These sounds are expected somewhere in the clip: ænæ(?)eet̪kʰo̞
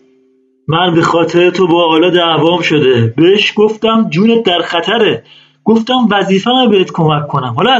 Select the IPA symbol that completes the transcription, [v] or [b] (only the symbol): b